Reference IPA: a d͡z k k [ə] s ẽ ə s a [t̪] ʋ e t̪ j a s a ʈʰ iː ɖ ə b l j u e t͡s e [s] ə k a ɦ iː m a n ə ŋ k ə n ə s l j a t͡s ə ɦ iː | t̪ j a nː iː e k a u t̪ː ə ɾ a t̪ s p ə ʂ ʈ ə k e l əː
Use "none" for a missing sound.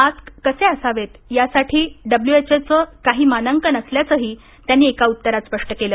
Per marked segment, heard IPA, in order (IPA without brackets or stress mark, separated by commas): ə, none, t͡s